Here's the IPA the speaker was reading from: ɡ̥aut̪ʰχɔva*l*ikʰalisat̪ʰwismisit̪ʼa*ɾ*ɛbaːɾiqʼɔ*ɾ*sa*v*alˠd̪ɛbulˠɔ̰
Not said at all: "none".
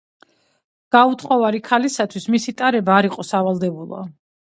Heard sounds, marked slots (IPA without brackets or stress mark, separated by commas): ɾ, ɾ, none, v